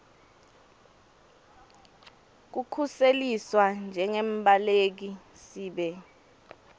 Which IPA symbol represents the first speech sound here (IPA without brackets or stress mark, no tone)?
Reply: k̬